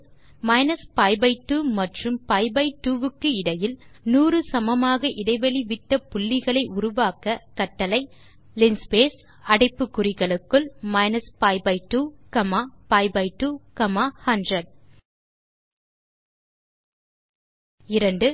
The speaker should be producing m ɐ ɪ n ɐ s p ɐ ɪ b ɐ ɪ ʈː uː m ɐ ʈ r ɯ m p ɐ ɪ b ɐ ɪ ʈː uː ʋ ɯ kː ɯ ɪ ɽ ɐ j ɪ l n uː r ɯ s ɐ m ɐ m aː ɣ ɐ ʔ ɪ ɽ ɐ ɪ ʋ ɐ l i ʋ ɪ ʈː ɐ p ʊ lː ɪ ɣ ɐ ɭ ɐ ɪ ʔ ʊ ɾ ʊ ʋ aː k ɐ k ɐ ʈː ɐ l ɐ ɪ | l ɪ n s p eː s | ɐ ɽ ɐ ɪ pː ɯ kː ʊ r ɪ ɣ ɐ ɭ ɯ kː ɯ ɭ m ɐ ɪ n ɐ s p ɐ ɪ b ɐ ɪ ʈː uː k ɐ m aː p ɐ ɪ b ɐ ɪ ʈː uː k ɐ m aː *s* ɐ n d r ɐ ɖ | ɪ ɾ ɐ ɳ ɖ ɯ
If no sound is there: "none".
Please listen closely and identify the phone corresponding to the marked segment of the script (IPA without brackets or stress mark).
h